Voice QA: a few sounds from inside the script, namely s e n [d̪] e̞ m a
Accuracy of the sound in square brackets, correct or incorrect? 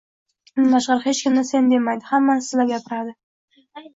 correct